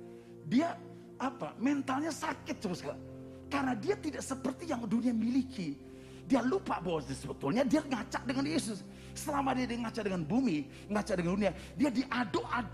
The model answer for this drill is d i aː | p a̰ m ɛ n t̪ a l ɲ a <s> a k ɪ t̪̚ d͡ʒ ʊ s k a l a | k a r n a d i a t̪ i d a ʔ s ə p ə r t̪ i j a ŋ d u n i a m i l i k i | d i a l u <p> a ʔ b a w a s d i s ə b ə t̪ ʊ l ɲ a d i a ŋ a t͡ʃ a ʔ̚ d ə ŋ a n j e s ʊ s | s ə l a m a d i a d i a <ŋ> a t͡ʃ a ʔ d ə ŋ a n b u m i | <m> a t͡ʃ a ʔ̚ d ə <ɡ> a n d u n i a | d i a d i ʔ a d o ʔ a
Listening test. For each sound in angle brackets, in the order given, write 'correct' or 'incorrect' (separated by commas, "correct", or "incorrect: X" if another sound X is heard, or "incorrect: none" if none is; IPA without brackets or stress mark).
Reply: correct, correct, correct, incorrect: ŋ, incorrect: ŋ